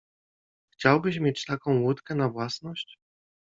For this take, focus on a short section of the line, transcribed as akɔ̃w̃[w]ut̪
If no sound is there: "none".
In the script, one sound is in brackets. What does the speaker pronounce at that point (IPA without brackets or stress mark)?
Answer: w